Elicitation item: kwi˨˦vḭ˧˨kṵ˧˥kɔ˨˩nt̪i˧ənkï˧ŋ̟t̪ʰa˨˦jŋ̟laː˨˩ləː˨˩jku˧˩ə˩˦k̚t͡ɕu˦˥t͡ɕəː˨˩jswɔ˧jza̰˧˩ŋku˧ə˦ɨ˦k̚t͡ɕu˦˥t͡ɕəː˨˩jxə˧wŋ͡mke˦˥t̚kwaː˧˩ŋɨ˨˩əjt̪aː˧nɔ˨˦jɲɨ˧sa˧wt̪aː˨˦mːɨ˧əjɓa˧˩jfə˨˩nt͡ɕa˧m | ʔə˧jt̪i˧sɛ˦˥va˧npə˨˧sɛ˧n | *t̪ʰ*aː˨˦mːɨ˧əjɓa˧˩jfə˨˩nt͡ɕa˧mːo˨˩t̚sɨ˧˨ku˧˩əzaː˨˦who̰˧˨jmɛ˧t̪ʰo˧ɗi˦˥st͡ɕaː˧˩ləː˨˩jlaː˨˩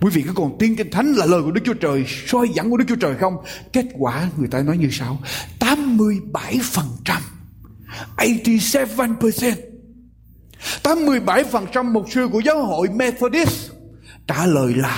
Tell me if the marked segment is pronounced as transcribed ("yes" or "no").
no